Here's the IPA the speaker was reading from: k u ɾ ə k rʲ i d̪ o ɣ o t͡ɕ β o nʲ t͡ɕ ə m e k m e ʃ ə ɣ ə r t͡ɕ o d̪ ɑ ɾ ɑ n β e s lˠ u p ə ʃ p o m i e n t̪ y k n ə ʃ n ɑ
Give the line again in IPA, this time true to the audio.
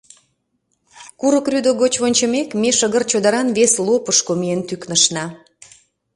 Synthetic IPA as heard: k u ɾ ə k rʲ y d̪ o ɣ o t͡ɕ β o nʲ t͡ɕ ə m e k m e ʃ ə ɣ ə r t͡ɕ o d̪ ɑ ɾ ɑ n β e s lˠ o p ə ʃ k o m i e n t̪ y k n ə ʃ n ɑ

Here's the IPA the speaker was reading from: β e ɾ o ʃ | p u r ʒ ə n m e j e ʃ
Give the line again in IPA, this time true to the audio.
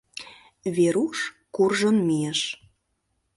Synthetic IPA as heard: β e ɾ u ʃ | k u r ʒ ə n m i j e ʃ

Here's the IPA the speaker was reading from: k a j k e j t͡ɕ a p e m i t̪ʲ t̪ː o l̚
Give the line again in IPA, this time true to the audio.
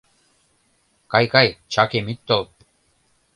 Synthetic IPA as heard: k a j k a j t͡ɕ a k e m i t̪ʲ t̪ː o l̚

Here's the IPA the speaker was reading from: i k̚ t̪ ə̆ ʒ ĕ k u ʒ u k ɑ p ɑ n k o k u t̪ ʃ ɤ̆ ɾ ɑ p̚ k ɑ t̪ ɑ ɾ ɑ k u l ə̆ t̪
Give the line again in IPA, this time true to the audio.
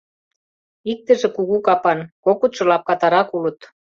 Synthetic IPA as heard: i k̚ t̪ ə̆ ʒ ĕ k u ɣ u k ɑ p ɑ n k o k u t̪ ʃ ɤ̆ l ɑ p̚ k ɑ t̪ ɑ ɾ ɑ k u l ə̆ t̪

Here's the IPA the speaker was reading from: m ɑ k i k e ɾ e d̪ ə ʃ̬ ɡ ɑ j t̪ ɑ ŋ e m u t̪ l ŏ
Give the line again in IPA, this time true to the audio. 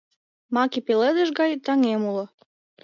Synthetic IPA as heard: m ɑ k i p e l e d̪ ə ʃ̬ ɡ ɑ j t̪ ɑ ŋ e m u l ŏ

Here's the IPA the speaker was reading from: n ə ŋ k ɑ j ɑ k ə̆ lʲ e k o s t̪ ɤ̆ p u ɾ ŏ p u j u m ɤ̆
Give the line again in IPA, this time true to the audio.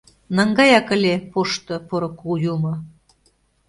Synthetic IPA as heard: n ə ŋ ɡ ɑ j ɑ k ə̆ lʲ e p o ʃ t̪ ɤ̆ p o ɾ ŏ k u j u m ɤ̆

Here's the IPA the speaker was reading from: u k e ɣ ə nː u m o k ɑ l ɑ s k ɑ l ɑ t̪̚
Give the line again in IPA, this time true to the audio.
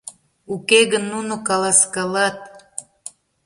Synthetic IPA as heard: u k e ɣ ə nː u n o k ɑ l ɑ s k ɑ l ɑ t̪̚

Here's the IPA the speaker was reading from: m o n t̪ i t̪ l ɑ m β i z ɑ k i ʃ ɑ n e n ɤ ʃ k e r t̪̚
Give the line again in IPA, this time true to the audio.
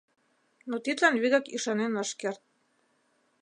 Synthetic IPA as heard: n o t̪ i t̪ l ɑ n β i ɣ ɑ k i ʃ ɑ n e n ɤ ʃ k e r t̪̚

